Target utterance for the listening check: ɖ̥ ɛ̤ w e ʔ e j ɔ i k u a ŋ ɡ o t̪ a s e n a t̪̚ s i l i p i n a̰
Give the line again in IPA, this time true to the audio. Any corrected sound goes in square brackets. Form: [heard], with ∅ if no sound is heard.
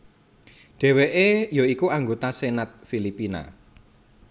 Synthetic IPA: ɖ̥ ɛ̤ w e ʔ e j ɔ i k u a ŋ ɡ o t̪ a s e n a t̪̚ [f] i l i p i n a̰